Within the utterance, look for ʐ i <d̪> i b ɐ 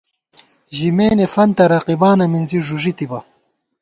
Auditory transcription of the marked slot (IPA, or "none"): t̪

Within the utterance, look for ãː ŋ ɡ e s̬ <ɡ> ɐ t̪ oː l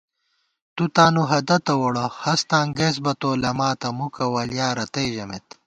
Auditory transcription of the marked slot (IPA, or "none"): b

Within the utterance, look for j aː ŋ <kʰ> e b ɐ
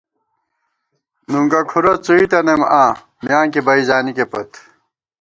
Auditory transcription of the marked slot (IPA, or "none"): k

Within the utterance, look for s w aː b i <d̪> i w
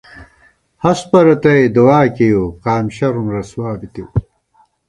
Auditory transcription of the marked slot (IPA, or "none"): t̪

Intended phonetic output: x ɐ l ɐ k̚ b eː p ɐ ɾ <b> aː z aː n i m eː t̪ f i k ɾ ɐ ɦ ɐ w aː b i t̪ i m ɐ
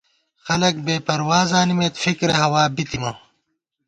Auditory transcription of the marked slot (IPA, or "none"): w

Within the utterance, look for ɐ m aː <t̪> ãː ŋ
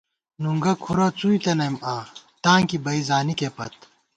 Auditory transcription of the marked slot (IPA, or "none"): t̪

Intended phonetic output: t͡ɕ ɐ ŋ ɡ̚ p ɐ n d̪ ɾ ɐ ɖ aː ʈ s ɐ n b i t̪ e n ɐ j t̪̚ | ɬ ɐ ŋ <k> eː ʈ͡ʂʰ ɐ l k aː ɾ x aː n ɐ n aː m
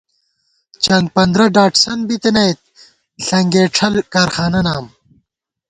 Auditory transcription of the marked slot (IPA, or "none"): ɡ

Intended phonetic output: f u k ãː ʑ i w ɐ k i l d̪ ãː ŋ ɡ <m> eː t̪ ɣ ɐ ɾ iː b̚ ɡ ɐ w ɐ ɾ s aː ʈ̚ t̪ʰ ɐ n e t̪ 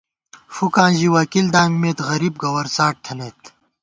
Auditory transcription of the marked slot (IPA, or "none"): m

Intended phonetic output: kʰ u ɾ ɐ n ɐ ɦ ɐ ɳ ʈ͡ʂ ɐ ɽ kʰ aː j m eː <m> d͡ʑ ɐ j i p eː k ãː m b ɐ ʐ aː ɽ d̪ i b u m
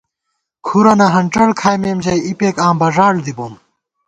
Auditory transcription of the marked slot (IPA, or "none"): m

